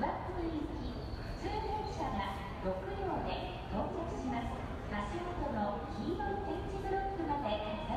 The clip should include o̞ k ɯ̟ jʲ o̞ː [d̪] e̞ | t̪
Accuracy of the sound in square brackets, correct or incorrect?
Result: correct